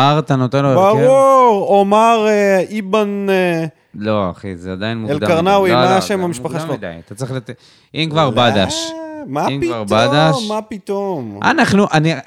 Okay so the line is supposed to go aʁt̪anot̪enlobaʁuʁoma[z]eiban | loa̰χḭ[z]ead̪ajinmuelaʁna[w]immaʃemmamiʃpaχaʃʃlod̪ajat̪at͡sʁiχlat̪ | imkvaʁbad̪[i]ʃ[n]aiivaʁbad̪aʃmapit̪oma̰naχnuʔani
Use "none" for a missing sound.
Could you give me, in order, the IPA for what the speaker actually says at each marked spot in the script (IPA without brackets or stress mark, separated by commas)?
ʁ, z, w, a, m